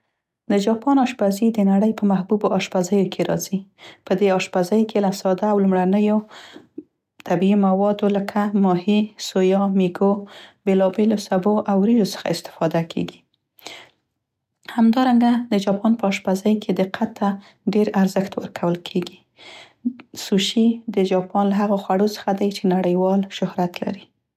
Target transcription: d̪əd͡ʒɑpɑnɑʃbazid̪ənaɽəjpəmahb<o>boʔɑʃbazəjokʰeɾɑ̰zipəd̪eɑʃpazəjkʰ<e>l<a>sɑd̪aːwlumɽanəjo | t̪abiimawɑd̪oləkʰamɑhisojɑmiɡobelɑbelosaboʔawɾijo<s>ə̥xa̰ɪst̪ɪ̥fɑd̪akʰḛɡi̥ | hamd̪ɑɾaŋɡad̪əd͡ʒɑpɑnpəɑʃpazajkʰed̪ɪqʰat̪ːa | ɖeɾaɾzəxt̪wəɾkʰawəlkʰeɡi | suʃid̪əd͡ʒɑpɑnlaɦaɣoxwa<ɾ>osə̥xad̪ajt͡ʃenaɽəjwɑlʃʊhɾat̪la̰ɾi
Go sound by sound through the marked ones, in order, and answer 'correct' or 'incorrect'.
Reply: incorrect: u, correct, correct, correct, incorrect: ɽ

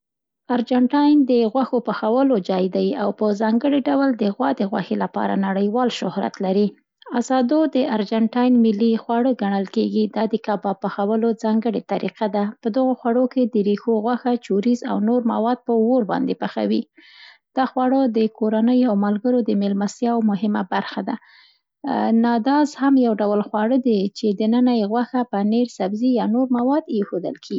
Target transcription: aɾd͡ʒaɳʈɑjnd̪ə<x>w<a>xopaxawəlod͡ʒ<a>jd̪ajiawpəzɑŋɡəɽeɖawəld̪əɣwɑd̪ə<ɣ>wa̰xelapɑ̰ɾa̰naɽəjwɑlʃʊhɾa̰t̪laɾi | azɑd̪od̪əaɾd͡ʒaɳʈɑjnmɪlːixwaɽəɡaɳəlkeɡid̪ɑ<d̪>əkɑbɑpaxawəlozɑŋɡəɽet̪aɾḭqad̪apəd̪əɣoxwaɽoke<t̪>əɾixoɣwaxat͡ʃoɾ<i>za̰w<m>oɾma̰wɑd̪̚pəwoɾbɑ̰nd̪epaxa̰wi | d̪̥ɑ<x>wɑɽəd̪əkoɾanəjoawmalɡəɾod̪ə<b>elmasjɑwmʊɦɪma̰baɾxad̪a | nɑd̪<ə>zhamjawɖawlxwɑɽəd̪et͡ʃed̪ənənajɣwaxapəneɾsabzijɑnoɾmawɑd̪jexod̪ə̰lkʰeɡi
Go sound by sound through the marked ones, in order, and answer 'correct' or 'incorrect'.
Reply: incorrect: ɣ, correct, incorrect: ɑ, correct, correct, incorrect: d̪, correct, incorrect: n, correct, incorrect: m, incorrect: ɑ

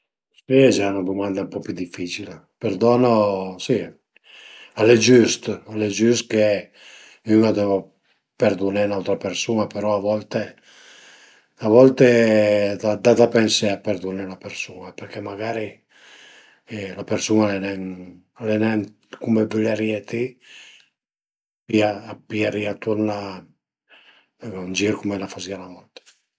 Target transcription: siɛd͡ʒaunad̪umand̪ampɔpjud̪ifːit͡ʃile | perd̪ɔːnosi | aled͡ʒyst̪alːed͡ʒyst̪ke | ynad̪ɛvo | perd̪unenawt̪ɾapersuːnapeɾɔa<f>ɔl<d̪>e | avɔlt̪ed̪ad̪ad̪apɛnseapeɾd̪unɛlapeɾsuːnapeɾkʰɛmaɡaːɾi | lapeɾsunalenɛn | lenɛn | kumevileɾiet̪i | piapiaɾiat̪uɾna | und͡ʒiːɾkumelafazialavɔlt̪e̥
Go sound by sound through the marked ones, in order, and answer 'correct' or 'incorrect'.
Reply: incorrect: v, incorrect: t̪

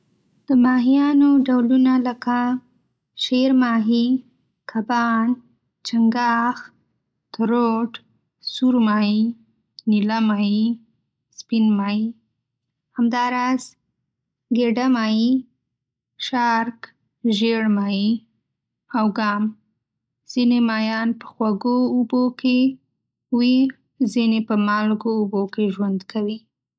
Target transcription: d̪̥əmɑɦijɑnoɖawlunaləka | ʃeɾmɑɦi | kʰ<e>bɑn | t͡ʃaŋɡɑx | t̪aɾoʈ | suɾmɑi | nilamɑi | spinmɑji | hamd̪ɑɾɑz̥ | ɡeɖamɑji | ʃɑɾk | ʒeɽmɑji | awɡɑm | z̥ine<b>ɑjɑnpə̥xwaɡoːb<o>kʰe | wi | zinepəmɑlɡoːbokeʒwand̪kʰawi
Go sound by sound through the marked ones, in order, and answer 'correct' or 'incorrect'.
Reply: incorrect: a, incorrect: m, correct

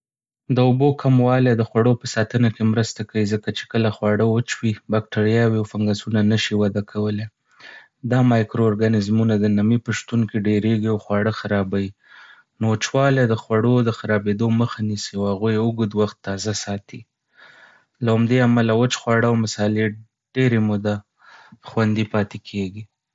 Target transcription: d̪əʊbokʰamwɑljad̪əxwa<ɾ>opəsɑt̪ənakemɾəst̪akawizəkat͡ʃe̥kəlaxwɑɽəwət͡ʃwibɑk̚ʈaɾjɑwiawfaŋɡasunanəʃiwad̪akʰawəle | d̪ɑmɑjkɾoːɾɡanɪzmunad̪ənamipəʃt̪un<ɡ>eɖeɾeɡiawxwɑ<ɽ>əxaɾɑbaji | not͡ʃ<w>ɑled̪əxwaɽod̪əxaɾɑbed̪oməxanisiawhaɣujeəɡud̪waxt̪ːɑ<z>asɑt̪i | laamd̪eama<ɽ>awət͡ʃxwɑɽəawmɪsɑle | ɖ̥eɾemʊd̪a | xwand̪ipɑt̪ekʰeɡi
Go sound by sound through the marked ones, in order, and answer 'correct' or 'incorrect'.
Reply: incorrect: ɽ, incorrect: k, correct, correct, correct, incorrect: l

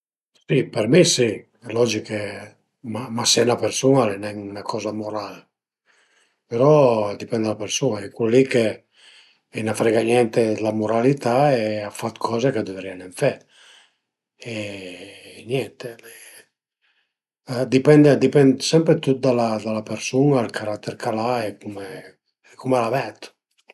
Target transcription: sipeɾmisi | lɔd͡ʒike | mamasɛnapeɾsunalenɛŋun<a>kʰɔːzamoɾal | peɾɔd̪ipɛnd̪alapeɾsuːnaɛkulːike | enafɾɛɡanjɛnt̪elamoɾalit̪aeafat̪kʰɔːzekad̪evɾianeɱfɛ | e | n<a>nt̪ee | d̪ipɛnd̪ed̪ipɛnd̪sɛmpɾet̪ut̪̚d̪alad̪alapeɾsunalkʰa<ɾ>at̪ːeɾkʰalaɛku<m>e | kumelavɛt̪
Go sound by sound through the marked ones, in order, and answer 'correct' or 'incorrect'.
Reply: correct, incorrect: ɛ, correct, correct

